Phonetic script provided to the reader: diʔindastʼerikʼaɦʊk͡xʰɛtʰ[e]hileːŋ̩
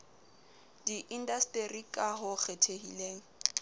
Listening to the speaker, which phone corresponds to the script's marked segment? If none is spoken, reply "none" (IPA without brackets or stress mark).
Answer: e